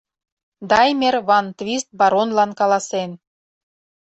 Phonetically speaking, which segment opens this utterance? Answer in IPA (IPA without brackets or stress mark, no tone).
d̪